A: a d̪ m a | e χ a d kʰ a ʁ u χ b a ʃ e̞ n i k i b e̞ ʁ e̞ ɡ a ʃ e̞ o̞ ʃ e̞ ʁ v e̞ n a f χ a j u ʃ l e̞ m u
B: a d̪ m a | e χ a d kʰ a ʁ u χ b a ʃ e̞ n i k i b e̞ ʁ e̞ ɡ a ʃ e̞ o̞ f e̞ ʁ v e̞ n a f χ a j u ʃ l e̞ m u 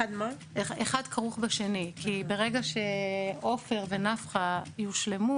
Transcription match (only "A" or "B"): B